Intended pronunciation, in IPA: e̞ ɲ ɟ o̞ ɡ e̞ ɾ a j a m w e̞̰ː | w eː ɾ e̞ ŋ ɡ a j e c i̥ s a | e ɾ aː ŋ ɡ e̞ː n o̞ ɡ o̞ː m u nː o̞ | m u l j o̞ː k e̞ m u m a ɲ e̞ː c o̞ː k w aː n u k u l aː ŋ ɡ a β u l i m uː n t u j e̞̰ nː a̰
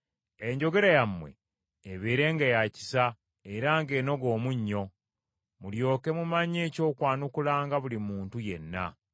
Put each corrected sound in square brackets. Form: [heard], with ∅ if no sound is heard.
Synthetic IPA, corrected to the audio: e̞ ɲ ɟ o̞ ɡ e̞ ɾ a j a m w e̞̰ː | [β] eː ɾ e̞ ŋ ɡ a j [a] c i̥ s a | e ɾ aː ŋ ɡ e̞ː n o̞ ɡ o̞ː m u [ɲː] o̞ | m u l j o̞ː k e̞ m u m a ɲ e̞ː c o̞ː k w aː n u k u l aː ŋ ɡ a β u l i m uː n t u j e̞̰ nː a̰